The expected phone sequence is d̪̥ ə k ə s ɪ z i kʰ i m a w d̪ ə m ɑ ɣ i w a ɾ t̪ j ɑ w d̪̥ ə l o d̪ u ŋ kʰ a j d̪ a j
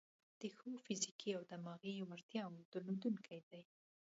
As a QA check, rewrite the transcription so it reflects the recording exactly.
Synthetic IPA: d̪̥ ə x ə f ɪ z i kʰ i a w d̪ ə m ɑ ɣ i w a ɾ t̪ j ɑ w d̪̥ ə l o d̪ u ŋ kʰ a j d̪ a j